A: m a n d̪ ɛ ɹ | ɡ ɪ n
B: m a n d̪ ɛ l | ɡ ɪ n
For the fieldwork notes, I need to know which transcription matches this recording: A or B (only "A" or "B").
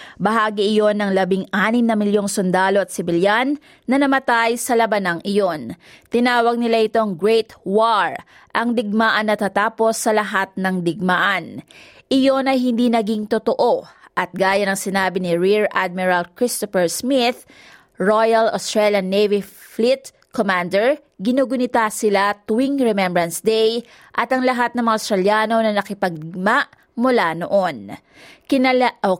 A